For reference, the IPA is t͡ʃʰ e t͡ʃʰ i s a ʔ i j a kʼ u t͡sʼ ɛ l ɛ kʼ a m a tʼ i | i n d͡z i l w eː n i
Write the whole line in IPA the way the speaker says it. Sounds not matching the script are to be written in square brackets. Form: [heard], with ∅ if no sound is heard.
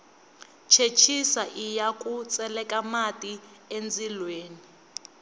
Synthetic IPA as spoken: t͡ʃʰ e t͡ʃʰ i s a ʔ i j a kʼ u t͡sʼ ɛ l ɛ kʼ a m a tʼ i | [e] n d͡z i l w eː n i